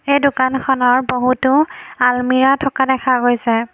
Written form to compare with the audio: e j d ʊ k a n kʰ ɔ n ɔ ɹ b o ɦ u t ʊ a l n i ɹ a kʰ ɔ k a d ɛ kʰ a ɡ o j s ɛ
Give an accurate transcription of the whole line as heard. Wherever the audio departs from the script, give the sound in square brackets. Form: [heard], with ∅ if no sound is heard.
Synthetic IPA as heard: e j d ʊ k a n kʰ ɔ n ɔ ɹ b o ɦ u t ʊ a l [m] i ɹ a [tʰ] ɔ k a d ɛ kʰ a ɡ o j s ɛ